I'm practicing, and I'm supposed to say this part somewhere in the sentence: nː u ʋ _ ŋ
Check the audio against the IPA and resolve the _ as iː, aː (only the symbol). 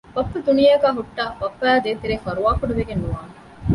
aː